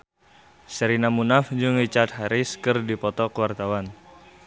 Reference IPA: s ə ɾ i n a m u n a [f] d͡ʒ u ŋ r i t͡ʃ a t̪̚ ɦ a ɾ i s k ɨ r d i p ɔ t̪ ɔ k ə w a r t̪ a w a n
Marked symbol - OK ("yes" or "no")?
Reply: yes